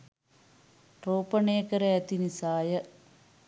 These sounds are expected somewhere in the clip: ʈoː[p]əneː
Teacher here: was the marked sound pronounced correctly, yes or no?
yes